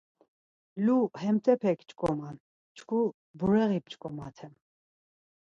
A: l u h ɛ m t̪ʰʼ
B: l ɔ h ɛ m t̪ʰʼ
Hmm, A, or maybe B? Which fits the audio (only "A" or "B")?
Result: A